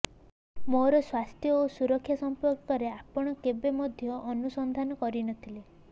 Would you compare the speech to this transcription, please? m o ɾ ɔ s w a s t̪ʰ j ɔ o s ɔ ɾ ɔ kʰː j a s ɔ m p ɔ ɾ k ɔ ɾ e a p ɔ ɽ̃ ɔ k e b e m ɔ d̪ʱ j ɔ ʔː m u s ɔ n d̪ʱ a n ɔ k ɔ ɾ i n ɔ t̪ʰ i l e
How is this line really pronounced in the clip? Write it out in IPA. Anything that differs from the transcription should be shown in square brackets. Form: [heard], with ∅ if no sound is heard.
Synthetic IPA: m o ɾ ɔ s w a s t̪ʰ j ɔ o s [u] ɾ ɔ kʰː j a s ɔ m p ɔ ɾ k ɔ ɾ e a p ɔ ɽ̃ ɔ k e b e m ɔ d̪ʱ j ɔ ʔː [n] u s ɔ n d̪ʱ a n ɔ k ɔ ɾ i n ɔ t̪ʰ i l e